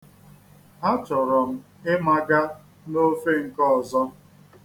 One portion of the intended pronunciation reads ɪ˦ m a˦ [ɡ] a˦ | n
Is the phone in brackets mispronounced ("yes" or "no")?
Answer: no